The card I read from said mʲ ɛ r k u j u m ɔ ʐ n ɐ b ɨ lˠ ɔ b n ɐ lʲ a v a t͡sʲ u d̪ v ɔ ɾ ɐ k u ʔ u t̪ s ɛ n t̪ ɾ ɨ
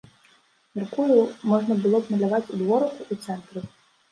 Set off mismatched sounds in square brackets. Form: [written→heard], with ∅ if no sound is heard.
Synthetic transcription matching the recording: mʲ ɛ r k u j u m ɔ ʐ n ɐ b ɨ lˠ ɔ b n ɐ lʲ a v a t͡sʲ u d̪ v ɔ ɾ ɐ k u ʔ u t̪ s ɛ n t̪ ɾ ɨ